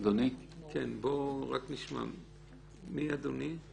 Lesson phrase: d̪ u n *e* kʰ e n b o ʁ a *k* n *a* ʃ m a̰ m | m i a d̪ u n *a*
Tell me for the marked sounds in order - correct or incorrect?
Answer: incorrect: i, correct, incorrect: i, incorrect: i

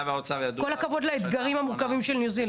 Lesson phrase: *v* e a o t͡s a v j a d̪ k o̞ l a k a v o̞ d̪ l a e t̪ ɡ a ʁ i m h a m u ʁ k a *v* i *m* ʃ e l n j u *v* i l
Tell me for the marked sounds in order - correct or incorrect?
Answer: correct, correct, correct, incorrect: z

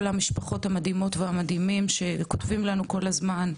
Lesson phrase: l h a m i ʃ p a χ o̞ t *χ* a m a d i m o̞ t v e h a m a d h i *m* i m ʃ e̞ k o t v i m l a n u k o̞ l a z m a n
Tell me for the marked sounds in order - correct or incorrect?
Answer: incorrect: h, correct

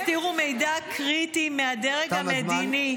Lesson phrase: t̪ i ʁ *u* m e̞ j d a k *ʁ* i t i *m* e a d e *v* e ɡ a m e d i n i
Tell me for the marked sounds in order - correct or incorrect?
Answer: correct, correct, correct, incorrect: ʁ

